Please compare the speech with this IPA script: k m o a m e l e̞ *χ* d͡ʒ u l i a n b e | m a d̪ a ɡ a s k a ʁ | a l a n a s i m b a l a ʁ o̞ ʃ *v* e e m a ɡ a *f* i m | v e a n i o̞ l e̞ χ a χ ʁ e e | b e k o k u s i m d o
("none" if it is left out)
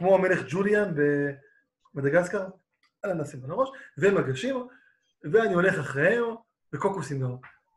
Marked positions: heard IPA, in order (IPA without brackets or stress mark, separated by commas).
χ, v, ʃ